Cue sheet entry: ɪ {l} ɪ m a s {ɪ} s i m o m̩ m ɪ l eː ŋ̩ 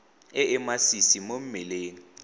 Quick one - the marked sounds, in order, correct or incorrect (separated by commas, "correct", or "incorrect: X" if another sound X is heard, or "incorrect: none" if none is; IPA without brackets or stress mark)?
incorrect: none, incorrect: i